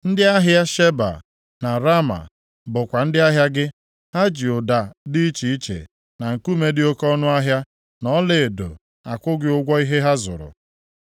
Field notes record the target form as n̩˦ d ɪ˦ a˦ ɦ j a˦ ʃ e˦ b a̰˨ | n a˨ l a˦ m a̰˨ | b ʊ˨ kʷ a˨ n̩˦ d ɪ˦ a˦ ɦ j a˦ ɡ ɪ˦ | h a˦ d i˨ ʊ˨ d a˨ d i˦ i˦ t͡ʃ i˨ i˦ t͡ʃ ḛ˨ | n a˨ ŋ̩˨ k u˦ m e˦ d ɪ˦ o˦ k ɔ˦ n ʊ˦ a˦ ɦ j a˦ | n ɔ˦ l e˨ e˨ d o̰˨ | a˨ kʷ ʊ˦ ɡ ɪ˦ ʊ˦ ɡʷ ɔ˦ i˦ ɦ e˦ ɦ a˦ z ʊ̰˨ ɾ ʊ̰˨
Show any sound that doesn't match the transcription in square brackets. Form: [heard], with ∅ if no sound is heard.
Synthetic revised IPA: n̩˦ d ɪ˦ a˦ ɦ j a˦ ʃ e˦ b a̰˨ | n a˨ [ɾ] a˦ m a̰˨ | b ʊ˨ kʷ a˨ n̩˦ d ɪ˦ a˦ ɦ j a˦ ɡ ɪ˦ | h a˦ [d͡ʒ] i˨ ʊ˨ d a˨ d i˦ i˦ t͡ʃ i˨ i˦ t͡ʃ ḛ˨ | n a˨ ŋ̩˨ k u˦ m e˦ d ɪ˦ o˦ k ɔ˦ n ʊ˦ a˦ ɦ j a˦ | n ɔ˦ l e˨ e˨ d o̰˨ | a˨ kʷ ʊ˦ ɡ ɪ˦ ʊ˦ ɡʷ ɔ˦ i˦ ɦ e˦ ɦ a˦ z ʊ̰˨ ɾ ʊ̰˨

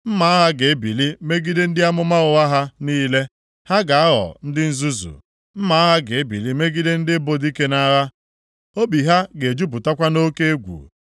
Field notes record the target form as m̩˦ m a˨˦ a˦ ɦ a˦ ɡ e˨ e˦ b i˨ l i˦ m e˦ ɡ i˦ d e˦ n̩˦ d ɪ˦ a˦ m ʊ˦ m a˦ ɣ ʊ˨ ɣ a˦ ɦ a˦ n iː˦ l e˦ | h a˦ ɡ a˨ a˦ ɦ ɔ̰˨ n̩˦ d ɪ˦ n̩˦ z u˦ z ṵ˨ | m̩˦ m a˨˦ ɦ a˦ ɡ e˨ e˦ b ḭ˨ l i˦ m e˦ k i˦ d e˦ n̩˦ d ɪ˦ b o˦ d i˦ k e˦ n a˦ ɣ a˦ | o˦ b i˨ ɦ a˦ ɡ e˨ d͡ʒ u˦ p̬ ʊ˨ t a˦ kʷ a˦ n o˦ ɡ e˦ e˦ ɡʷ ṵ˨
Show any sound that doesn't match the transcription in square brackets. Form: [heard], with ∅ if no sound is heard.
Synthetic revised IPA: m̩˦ m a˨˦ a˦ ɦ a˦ ɡ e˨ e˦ b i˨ l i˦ m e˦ ɡ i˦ d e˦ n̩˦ d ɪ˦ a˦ m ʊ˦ m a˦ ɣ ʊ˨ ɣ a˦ ɦ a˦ n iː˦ l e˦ | h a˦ ɡ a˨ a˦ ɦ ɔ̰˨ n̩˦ d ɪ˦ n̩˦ z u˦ z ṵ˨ | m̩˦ m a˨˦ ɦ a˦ ɡ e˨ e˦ b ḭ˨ l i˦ m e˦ [ɡ] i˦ d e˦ n̩˦ d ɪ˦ b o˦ d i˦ k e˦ n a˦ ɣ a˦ | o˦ b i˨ ɦ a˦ ɡ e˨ d͡ʒ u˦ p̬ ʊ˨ t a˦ kʷ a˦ n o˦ [k] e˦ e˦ ɡʷ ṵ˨

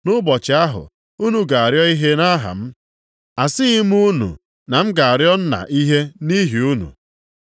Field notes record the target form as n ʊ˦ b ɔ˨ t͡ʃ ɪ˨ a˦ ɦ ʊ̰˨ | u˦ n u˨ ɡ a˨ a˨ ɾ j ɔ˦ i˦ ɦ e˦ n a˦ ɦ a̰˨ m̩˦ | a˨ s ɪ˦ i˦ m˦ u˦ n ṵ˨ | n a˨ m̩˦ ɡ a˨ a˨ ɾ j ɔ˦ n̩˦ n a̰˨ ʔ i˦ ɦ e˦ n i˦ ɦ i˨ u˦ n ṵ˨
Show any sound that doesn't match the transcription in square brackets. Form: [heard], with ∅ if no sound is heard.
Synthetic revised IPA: n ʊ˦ b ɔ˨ t͡ʃ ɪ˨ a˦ ɦ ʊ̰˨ | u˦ n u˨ ɡ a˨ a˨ ɾ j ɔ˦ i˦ ɦ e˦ n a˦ ɦ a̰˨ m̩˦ | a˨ s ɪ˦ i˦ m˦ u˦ n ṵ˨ | n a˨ m̩˦ ɡ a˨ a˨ ɾ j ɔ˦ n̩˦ n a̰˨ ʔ i˦ ɦ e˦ n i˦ ɦ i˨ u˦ n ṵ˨

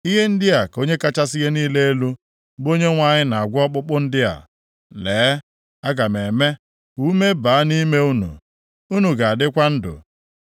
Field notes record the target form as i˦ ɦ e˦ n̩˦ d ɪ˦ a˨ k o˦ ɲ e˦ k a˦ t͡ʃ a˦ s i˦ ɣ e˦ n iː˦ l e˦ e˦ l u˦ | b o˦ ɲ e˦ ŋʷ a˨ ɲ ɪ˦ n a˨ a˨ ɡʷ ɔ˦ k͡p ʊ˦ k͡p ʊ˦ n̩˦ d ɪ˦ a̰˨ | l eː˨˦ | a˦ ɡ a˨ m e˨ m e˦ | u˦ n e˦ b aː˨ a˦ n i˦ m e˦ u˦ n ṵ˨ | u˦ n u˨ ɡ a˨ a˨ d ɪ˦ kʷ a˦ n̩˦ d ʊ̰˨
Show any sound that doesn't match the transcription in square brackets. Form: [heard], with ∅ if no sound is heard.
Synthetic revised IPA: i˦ ɦ e˦ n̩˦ d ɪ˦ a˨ k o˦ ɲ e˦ k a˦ t͡ʃ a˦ s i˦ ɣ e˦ n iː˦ l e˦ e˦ l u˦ | b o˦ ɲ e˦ ŋʷ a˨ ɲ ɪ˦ n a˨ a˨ ɡʷ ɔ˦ k͡p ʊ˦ k͡p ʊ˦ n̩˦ d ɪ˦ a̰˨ | l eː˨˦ | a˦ ɡ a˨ m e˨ m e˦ | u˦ [m] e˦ b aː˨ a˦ n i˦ m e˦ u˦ n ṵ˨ | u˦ n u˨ ɡ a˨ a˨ d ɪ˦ kʷ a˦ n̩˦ d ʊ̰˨

